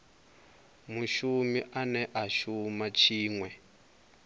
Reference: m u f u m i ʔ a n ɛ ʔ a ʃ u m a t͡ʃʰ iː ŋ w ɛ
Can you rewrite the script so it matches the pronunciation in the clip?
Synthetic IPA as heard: m u ʃ u m i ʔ a n ɛ ʔ a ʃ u m a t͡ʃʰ iː ŋ w ɛ

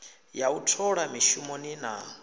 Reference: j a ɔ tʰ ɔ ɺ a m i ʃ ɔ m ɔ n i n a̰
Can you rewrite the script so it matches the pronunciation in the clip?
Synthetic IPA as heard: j a u tʰ ɔ ɺ a m i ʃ u m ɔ n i n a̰

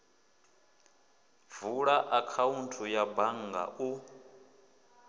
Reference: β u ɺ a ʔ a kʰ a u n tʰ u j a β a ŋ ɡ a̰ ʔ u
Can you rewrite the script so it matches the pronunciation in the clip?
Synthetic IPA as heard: v u ɺ a ʔ a kʰ a u n tʰ u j a b a ŋ ɡ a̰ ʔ u

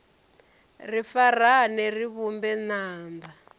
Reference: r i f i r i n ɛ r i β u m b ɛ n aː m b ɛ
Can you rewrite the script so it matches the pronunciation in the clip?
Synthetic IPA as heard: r i f a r a n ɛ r i β u m b ɛ n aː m b a

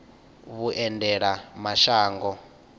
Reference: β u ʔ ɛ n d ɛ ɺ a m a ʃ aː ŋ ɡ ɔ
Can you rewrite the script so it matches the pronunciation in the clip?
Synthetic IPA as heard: β u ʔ ɛ n d ɛ ɺ a m a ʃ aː ŋ ɡ ɔ

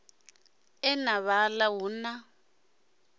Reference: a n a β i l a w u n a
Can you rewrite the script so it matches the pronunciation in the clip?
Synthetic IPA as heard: ɛ n a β a l a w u n a

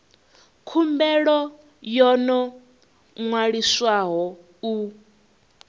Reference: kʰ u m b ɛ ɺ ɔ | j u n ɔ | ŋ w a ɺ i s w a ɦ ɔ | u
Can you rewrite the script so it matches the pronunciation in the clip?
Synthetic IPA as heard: kʰ u m b ɛ ɺ ɔ | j ɔ n ɔ | ŋ w a ɺ i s w a ɦ ɔ | u

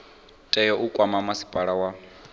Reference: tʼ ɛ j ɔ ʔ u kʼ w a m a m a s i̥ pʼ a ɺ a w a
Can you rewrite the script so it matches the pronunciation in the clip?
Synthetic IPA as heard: tʼ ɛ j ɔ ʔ u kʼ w a m a m a s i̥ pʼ a ɺ a w a

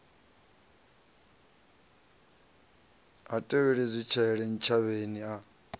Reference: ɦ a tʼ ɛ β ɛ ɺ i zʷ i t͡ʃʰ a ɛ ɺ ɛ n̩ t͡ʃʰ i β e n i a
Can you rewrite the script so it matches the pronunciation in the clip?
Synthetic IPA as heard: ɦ a tʼ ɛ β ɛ ɺ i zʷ i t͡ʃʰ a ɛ ɺ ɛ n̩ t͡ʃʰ a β e n i a

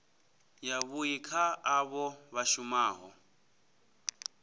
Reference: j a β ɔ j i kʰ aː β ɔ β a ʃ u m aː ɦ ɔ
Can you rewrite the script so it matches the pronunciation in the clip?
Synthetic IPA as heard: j a β u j i kʰ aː β ɔ β a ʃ u m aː ɦ ɔ

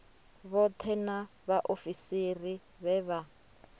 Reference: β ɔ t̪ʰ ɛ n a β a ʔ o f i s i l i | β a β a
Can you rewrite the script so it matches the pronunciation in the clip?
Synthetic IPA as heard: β ɔ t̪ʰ ɛ n a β a ʔ o f i s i r i | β ɛ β a

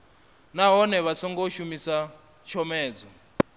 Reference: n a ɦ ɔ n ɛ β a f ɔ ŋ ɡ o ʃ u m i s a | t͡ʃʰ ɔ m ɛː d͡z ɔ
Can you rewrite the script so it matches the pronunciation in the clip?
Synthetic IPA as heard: n a ɦ ɔ n ɛ β a s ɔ ŋ ɡ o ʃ u m i s a | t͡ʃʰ ɔ m ɛː d͡z ɔ

